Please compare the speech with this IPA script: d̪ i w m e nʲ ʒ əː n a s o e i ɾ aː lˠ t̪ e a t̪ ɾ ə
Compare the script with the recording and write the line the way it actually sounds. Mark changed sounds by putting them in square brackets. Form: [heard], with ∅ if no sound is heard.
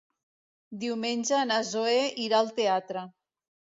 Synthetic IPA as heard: d̪ i w m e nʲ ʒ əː n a [z] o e i ɾ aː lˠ t̪ e a t̪ ɾ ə